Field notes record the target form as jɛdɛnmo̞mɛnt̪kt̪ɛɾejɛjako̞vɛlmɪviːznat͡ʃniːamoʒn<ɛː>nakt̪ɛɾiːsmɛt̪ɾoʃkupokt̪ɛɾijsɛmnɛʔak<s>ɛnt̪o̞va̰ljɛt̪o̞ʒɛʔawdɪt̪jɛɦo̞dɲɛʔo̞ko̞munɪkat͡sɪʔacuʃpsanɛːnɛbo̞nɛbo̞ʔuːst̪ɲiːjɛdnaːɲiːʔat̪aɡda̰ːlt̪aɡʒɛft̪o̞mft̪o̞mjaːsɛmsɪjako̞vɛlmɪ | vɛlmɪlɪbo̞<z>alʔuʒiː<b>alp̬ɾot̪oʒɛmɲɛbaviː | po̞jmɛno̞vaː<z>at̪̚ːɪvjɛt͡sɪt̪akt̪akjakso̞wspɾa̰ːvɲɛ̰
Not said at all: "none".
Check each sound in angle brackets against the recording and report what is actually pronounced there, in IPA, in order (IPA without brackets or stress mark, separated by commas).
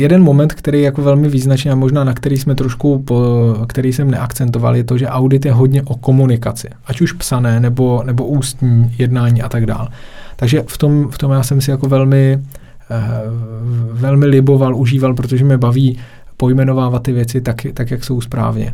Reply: aː, t͡s, v, v, v